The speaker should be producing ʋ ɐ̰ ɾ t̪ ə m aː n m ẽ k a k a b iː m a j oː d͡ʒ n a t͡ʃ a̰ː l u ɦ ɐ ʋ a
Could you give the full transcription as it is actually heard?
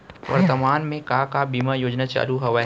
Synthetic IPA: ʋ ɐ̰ ɾ t̪ ə m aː n m ẽ k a k a b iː m a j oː d͡ʒ n a t͡ʃ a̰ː l u ɦ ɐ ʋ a